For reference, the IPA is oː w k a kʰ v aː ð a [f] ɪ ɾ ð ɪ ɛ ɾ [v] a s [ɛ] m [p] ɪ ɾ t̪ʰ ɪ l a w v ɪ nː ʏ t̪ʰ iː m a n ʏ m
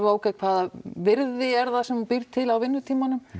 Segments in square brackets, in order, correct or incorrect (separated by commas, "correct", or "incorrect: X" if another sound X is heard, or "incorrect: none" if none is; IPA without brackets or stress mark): incorrect: v, incorrect: ð, correct, correct